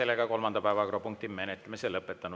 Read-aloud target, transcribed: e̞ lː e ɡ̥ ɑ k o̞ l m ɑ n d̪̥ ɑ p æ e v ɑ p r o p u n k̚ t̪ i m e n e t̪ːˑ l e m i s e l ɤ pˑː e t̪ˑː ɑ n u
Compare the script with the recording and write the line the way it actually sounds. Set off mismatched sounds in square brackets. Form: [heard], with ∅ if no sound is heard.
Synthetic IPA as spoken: e̞ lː e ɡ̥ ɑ k o̞ l m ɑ n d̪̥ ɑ p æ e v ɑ [k] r o p u [ŋ] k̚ t̪ i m e n e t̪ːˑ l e m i s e l ɤ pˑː e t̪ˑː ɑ n u

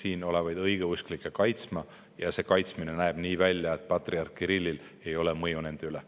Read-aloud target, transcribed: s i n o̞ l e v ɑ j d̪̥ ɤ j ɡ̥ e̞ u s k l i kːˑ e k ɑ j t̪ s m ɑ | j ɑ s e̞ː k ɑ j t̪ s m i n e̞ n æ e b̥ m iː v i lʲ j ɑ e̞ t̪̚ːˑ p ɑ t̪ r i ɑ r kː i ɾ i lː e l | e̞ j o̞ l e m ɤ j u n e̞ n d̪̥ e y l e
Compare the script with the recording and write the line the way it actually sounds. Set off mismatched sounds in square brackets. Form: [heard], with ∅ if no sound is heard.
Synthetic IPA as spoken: s [iː] n o̞ l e v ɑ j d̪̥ ɤ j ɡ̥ e̞ u s k l i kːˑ e k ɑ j t̪ s m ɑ | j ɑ s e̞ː k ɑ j t̪ s m i n e̞ n æ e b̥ [n] iː v [æ] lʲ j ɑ e̞ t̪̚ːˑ p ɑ t̪ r i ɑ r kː i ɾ i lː [i] l | e̞ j o̞ l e m ɤ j u n e̞ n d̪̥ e y l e

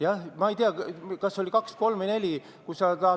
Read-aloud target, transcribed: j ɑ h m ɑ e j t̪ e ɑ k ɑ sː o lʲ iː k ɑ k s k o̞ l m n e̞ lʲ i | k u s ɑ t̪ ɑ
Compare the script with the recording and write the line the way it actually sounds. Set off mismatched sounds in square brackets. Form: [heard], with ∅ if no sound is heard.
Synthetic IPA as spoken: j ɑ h m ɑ e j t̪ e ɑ k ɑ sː o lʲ [i] k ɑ k s k o̞ l m n e̞ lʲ i | k u s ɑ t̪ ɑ

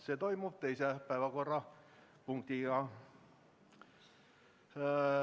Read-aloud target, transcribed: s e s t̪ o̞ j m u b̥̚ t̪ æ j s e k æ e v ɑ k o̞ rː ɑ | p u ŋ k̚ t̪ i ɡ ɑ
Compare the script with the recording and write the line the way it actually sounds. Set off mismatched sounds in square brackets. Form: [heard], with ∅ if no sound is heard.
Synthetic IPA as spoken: s e [∅] t̪ o̞ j m u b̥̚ t̪ [e] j s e [p] æ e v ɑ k o̞ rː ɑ | p u ŋ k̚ t̪ i ɡ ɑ

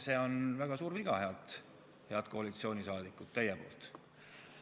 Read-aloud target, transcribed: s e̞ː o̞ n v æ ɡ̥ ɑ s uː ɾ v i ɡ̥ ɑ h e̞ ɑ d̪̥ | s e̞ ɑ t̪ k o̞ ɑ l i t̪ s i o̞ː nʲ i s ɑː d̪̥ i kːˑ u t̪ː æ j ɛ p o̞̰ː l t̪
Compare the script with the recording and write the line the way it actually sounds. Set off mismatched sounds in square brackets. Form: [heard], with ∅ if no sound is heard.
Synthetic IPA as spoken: s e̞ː o̞ n v æ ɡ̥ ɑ s uː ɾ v i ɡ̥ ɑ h e̞ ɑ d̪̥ | [h] e̞ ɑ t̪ k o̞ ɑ l i t̪ s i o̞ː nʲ i s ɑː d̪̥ i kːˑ u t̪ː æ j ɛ p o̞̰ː l t̪

